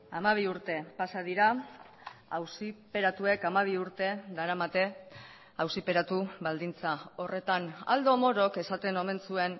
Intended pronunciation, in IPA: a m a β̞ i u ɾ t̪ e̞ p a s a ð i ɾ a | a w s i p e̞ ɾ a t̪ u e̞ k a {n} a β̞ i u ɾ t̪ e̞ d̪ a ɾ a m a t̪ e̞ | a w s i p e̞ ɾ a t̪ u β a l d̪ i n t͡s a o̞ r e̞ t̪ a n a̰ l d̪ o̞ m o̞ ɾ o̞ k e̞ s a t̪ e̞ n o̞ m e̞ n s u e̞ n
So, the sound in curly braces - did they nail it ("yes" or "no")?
no